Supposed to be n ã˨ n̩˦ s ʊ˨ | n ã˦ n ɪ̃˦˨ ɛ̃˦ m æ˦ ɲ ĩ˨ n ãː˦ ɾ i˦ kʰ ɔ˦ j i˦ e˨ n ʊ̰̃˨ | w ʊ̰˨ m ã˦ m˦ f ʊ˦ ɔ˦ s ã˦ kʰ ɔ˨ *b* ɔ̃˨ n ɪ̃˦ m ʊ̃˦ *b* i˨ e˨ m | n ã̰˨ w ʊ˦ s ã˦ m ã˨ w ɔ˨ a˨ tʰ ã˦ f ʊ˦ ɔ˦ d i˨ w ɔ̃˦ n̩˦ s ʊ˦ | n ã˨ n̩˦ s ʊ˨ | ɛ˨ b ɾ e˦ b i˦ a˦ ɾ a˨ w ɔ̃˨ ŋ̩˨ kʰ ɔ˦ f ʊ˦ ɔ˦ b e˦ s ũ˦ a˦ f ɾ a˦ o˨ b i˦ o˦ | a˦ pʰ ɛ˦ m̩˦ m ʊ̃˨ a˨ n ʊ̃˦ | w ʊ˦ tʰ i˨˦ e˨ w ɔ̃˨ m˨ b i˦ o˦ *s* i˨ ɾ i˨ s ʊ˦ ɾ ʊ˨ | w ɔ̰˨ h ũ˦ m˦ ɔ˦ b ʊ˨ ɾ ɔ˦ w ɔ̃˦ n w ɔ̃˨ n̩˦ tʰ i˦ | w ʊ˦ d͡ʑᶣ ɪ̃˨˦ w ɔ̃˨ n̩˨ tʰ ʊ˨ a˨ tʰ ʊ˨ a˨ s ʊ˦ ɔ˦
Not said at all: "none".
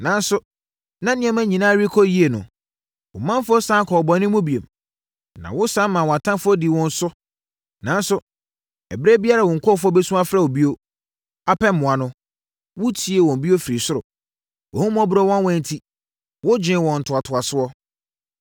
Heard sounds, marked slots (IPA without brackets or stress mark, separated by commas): b, b, f